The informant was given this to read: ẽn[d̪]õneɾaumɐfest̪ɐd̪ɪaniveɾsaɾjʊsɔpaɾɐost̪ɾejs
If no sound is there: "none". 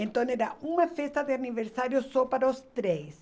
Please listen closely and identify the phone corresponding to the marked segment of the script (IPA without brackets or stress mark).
t̪